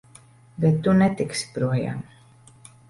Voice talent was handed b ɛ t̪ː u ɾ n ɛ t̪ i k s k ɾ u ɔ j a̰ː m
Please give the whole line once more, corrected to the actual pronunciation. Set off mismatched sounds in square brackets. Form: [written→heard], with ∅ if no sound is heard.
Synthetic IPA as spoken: b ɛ t̪ː u [ɾ→∅] n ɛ t̪ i k s [k→p] ɾ u ɔ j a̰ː m